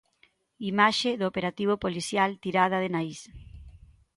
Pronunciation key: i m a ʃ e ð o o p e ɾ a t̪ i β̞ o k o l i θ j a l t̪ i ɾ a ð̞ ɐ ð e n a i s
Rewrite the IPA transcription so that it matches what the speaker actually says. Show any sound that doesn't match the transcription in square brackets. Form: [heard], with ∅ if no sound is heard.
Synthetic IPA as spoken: i m a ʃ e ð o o p e ɾ a t̪ i β̞ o [p] o l i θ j a l t̪ i ɾ a ð̞ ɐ ð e n a i s